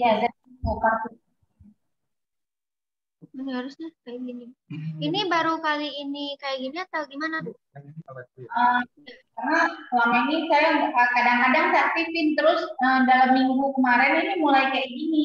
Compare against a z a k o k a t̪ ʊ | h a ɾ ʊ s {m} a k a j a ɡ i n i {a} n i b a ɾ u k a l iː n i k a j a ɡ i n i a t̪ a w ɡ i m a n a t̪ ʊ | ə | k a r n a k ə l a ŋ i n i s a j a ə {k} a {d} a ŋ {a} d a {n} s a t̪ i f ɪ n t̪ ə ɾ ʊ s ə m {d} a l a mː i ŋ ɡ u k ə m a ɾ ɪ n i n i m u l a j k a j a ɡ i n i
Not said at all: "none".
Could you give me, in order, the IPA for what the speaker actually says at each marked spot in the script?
ɲ, i, k, d, a, ŋ, d

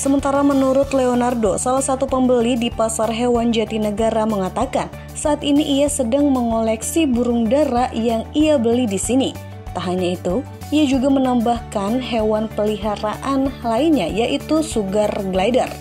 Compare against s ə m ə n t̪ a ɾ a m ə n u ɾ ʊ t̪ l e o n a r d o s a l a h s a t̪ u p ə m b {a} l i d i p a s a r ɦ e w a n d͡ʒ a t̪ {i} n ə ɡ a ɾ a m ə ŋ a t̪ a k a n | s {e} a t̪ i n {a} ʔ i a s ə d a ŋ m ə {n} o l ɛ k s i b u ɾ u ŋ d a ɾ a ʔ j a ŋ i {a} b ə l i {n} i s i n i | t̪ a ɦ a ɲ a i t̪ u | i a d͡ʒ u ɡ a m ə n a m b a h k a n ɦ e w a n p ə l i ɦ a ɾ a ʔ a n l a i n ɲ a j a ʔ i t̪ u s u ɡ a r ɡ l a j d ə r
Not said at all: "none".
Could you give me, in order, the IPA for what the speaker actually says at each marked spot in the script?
ə, i, a, i, ŋ, a, d

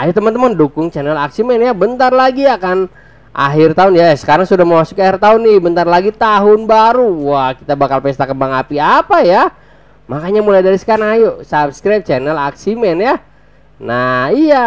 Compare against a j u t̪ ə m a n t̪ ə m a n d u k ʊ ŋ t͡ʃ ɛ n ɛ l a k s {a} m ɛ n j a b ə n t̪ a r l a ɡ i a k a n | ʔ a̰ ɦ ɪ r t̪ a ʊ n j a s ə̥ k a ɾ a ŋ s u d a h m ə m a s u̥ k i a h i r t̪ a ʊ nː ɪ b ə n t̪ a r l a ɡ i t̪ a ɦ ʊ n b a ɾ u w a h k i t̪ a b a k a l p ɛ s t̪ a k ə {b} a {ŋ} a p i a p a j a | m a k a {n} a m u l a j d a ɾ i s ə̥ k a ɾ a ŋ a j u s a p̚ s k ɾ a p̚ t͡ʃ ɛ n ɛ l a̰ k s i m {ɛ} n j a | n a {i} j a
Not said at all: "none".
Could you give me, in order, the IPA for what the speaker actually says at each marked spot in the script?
i, b, ŋ, ɲ, ɛ, i

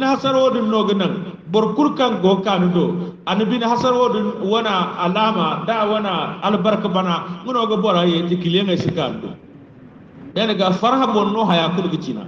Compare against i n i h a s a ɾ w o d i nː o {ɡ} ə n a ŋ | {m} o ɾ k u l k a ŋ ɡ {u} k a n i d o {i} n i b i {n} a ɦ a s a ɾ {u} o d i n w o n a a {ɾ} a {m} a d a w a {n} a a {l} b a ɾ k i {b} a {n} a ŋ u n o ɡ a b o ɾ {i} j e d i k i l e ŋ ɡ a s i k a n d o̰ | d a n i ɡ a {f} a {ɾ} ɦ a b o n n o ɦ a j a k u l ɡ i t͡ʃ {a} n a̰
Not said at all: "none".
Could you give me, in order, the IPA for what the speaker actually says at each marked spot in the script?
ɡ, b, o, a, n, w, l, m, n, l, b, n, a, f, ɾ, i

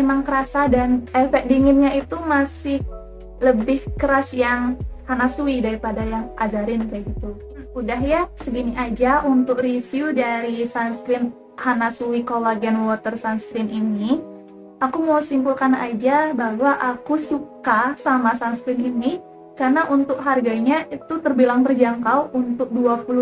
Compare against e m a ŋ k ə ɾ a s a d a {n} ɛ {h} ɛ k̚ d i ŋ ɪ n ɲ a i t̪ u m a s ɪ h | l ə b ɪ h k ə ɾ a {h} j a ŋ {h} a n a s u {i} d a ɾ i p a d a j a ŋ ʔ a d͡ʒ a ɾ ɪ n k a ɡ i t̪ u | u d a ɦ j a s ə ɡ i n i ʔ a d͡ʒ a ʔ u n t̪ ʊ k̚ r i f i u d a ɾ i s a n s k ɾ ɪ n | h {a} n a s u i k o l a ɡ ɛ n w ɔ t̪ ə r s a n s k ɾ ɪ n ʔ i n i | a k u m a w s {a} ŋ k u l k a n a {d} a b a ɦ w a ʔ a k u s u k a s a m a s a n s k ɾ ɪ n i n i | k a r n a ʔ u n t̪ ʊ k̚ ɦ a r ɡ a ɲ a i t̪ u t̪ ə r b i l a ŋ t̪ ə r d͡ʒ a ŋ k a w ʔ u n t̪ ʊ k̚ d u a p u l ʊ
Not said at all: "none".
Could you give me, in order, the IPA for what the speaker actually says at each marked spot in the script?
n, f, s, h, i, a, i, d͡ʒ

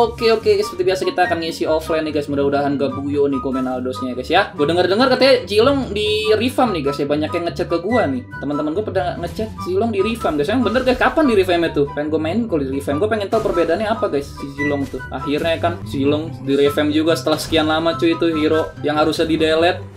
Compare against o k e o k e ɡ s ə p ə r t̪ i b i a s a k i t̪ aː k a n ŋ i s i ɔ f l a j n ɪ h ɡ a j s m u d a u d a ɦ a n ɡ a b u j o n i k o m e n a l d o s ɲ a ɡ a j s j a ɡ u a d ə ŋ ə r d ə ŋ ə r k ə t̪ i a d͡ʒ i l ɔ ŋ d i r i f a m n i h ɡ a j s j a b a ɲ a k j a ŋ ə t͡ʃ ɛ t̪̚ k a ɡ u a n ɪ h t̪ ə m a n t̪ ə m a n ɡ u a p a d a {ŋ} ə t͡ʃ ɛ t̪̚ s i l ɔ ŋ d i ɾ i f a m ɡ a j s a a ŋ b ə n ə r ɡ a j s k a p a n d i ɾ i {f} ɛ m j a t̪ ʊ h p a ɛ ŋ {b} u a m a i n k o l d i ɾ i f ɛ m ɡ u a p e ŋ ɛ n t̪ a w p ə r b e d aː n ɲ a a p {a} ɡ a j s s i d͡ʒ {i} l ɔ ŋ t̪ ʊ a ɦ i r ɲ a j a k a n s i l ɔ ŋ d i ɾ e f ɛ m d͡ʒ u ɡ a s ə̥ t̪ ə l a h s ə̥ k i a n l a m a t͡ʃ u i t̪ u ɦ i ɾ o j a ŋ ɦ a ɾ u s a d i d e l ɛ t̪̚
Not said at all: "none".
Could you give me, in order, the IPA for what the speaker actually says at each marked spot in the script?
ŋ, f, ɡ, a, i

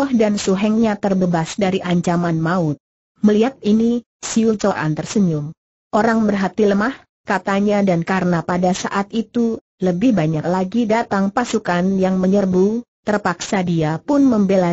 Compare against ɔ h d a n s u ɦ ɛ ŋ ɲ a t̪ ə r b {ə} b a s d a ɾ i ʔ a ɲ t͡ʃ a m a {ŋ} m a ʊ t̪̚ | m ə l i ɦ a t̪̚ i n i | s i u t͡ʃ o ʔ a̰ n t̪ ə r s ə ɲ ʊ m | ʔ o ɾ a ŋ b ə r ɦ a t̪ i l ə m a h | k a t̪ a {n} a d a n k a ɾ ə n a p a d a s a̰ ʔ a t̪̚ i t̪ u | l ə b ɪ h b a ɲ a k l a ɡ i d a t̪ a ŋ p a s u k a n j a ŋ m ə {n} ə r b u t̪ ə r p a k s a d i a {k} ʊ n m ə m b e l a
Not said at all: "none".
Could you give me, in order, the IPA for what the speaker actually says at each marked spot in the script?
ə, n, ɲ, ɲ, p

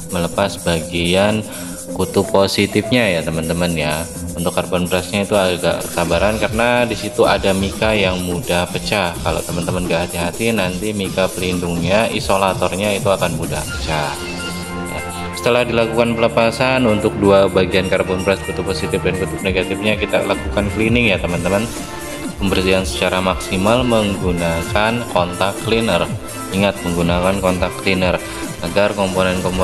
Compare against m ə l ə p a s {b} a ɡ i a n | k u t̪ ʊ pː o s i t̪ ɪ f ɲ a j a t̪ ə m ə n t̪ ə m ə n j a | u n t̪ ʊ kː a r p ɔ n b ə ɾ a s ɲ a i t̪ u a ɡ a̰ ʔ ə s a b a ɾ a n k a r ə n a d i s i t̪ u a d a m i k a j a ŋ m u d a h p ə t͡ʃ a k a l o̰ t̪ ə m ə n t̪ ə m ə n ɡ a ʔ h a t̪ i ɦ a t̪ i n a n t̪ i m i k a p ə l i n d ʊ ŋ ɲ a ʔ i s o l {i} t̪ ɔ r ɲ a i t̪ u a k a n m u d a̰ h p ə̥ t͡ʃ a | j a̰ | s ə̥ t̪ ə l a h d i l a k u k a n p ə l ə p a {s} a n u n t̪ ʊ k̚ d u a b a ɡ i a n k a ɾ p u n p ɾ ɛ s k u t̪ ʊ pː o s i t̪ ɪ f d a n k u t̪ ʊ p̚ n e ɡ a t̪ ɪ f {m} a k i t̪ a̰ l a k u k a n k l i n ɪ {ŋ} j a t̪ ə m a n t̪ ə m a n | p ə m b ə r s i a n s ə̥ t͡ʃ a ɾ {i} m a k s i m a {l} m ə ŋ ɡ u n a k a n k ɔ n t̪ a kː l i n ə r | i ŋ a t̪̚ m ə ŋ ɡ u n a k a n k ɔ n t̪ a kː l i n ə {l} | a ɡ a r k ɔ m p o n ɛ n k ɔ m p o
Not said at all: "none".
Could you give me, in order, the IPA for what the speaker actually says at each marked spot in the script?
b, a, s, ɲ, ŋ, a, l, r

